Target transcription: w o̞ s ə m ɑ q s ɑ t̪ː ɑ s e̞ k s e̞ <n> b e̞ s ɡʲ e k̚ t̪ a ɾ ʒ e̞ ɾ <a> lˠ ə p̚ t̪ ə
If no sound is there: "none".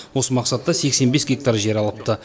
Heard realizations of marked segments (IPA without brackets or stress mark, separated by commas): n, ɑ